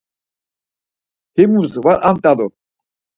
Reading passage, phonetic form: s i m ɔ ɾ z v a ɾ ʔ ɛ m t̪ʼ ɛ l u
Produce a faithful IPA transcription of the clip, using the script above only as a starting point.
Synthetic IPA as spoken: h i m u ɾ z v a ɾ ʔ a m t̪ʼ a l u